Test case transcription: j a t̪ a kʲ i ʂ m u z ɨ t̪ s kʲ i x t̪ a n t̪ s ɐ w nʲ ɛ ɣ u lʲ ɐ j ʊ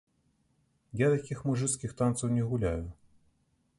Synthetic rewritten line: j a t̪ a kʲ i x m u ʐ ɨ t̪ s kʲ i x t̪ a n t̪ s ɐ w nʲ ɛ ɣ u lʲ a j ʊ